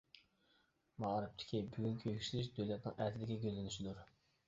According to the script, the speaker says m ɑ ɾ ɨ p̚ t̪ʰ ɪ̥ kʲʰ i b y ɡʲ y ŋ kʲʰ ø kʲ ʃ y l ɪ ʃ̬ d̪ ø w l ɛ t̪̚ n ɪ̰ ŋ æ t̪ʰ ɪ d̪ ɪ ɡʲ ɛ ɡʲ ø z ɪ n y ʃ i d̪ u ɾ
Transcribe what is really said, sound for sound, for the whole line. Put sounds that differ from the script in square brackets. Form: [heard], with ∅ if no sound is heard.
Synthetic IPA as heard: m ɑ ɾ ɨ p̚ t̪ʰ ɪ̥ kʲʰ i b y ɡʲ y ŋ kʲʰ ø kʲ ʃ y l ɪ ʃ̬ d̪ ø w l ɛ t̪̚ n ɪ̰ ŋ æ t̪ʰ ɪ d̪ ɪ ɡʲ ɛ ɡʲ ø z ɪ n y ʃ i d̪ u ɾ